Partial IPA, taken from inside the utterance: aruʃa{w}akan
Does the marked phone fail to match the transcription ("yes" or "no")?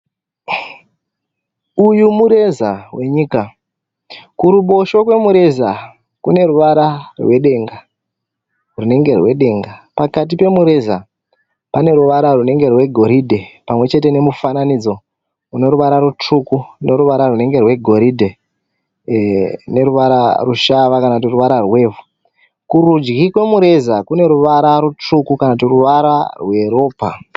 yes